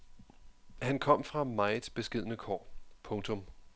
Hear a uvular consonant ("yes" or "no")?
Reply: yes